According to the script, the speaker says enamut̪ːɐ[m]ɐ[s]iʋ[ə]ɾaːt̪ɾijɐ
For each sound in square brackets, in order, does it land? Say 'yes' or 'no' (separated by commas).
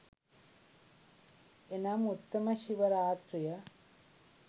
yes, no, no